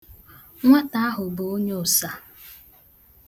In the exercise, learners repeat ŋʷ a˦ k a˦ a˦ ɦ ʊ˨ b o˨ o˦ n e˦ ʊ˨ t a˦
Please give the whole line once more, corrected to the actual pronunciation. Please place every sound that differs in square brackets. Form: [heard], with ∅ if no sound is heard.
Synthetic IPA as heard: ŋʷ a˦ [t] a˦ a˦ ɦ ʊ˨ b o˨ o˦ [ɲ] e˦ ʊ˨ [s] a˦